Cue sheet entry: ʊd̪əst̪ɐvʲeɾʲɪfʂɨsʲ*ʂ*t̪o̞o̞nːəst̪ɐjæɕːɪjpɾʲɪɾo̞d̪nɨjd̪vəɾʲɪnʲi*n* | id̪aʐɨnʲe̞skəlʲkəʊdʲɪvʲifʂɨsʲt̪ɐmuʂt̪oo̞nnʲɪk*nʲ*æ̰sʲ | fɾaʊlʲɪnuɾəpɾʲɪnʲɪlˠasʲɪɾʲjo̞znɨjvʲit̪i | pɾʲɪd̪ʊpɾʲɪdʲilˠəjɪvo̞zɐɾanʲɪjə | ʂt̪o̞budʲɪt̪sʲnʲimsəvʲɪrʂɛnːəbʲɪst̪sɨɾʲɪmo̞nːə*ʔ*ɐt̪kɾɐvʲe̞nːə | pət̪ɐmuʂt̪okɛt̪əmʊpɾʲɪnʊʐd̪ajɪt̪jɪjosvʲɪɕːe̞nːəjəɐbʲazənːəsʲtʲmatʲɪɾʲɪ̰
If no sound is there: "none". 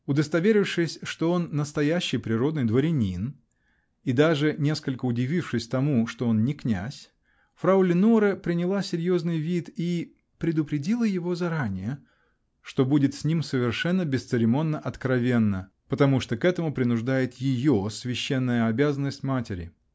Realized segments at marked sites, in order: ʂ, n, nʲ, ʔ

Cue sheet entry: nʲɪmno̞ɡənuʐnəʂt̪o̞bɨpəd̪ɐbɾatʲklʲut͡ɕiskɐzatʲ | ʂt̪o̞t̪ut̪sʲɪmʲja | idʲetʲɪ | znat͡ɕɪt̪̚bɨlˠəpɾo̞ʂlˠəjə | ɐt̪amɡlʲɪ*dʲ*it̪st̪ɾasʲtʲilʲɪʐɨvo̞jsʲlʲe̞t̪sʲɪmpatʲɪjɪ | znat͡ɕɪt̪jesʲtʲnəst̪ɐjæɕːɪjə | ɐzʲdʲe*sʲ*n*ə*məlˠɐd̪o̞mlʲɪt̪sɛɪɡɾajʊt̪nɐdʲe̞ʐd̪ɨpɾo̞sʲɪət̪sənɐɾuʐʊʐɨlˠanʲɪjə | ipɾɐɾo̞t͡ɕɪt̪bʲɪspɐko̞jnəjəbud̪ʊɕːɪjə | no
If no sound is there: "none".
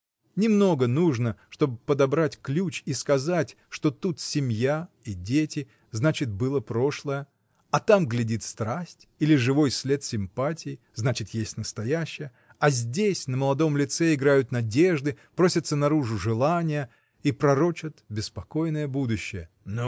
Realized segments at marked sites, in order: dʲ, sʲ, ə

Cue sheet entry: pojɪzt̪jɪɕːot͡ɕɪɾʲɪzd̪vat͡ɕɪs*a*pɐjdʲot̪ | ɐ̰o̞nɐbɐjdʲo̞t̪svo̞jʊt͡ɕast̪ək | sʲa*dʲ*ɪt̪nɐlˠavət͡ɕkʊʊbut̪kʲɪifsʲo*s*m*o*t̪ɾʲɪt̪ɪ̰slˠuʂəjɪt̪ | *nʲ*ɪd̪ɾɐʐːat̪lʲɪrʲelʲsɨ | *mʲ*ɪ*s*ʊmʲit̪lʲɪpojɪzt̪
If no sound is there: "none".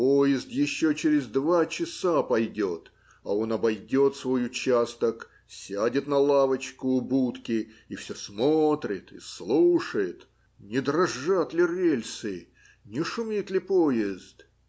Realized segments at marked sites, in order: a, dʲ, s, o, nʲ, nʲ, ʂ

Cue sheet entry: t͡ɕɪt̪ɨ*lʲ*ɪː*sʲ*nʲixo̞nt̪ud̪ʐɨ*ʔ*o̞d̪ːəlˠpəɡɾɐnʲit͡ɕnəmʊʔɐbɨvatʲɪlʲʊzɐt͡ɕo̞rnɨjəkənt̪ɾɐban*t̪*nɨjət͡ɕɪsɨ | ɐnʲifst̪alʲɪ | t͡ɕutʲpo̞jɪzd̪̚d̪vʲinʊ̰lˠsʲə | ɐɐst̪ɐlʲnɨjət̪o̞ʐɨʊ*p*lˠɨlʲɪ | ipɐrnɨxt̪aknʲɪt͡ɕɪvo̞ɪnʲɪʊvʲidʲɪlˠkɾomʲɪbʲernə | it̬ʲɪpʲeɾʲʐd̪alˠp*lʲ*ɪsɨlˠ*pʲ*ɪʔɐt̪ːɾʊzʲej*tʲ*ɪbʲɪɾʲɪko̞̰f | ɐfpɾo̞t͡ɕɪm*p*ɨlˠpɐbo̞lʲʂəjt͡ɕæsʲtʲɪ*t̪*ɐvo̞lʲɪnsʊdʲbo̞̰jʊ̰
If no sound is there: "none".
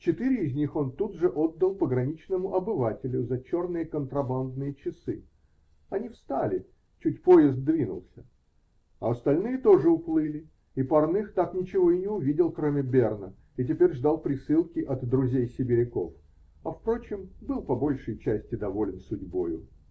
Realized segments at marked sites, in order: ɾʲ, zʲ, ʔ, d̪, p, ɾʲ, kʲ, sʲ, b, d̪

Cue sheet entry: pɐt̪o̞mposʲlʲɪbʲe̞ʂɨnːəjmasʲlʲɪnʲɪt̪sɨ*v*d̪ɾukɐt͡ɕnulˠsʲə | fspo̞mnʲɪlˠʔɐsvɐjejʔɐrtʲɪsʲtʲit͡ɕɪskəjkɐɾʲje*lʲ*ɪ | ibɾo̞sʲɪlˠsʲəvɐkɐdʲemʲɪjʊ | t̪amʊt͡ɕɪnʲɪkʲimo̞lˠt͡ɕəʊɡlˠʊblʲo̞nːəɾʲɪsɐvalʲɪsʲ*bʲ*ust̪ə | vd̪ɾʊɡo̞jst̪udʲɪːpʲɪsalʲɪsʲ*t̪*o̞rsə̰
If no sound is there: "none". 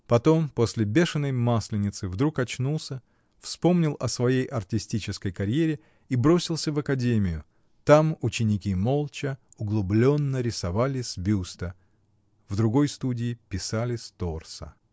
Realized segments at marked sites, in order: v, ɾʲ, bʲ, t̪

